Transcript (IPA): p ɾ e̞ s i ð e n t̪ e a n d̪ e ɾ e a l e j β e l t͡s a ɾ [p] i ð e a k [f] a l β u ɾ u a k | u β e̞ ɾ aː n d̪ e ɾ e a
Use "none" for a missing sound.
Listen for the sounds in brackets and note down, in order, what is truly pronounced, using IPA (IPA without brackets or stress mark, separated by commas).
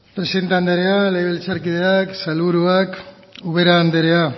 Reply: k, s